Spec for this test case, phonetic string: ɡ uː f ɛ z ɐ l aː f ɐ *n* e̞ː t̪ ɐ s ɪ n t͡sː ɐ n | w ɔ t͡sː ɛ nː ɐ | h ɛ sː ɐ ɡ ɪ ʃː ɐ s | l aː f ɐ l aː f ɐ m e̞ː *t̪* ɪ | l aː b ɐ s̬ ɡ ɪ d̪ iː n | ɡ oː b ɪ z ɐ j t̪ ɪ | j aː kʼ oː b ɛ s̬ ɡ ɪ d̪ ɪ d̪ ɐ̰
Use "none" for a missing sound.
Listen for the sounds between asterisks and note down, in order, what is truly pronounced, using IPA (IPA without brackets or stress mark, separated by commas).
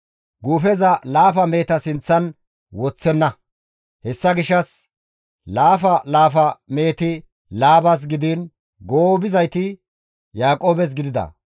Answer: m, t̪